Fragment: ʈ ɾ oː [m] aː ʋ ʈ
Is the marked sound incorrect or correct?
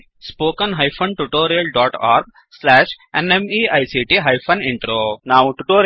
incorrect